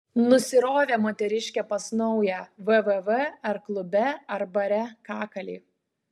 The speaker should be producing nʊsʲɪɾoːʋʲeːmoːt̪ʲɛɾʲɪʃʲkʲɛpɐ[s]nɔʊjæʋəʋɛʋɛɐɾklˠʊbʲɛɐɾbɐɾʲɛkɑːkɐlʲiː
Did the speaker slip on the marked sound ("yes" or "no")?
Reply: no